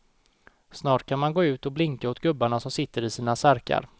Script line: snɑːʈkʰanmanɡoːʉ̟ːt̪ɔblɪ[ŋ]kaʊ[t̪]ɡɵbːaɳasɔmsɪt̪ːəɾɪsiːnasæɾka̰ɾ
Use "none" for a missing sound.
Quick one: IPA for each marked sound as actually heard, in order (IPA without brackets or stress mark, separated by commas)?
ŋ, t̪